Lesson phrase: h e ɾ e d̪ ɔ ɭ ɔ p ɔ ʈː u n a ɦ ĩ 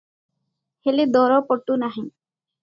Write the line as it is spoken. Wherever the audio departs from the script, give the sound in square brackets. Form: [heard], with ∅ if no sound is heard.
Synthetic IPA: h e [l] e d̪ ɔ [ɾ] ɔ p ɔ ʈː u n a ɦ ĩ